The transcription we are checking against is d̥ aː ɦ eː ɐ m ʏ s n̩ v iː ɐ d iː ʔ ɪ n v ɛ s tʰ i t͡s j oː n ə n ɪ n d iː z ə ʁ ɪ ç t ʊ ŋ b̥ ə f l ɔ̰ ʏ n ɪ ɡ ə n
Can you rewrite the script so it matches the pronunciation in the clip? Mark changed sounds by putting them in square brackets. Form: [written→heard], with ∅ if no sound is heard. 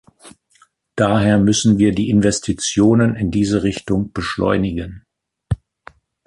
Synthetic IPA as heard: d̥ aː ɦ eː ɐ m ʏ s n̩ v iː ɐ d iː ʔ ɪ n v ɛ s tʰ i t͡s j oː n ə n ɪ n d iː z ə ʁ ɪ ç t ʊ ŋ b̥ ə [f→ʃ] l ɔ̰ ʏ n ɪ ɡ ə n